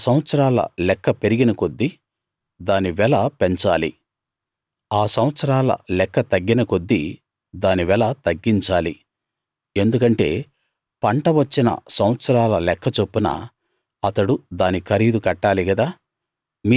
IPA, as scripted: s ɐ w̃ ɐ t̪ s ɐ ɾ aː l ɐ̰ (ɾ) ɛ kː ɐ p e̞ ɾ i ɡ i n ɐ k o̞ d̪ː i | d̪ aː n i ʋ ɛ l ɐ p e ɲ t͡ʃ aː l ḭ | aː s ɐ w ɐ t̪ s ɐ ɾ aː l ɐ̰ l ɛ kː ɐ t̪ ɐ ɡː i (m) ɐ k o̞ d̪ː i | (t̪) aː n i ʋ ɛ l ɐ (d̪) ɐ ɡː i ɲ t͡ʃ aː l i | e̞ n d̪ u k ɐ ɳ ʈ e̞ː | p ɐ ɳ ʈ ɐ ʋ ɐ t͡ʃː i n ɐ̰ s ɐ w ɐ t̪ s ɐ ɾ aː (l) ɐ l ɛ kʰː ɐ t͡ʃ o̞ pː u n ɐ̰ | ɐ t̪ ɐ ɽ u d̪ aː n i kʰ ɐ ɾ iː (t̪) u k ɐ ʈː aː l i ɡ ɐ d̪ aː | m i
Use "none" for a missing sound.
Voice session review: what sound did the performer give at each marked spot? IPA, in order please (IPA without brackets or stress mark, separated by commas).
l, n, d̪, t̪, l, d̪